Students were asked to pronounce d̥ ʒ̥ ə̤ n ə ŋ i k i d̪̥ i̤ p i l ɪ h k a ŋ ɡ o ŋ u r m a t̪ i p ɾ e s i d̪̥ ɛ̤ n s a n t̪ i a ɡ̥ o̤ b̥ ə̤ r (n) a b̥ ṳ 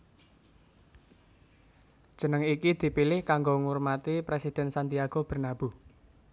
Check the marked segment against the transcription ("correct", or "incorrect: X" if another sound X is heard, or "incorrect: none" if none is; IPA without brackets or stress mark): correct